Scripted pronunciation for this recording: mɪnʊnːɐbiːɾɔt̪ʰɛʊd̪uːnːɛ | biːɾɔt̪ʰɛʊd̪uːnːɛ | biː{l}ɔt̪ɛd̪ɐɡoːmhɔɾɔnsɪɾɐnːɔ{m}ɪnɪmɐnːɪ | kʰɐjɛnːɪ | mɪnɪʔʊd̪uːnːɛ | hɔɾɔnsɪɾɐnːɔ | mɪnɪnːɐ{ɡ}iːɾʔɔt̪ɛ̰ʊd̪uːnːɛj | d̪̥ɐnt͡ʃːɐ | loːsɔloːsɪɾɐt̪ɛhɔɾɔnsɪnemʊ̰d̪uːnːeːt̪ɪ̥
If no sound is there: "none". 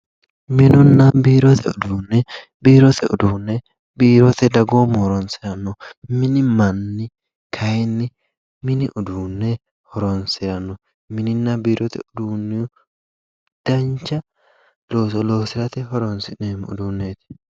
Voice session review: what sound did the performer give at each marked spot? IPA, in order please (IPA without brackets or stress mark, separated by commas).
ɾ, m, b